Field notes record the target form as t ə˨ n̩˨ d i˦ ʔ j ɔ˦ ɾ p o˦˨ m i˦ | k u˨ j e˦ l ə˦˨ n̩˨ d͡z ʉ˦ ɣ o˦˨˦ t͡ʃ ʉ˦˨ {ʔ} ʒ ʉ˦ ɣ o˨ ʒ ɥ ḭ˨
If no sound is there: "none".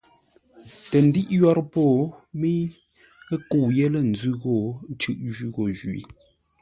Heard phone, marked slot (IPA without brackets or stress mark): ʔ